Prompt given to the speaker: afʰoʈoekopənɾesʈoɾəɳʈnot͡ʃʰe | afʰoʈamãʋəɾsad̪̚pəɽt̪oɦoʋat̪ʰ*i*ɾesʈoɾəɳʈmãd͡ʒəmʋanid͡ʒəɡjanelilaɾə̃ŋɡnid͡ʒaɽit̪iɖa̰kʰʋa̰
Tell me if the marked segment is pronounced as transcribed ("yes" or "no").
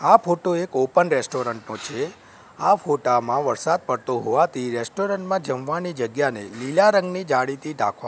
yes